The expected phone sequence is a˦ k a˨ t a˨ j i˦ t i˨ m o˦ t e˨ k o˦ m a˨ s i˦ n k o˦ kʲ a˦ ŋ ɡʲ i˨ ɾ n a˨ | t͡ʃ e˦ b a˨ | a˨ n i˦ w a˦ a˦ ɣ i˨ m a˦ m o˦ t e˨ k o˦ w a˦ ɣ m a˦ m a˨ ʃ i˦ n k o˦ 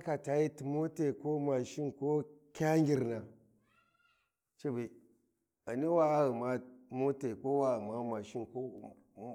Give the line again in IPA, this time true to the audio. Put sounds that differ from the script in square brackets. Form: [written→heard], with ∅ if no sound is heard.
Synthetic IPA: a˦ k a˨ t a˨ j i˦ t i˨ m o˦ t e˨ k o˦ m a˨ [s→ʃ] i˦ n k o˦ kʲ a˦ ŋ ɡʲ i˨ ɾ n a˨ | t͡ʃ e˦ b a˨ | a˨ n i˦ w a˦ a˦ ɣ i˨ m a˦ m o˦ t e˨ k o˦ w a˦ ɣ m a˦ m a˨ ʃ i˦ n k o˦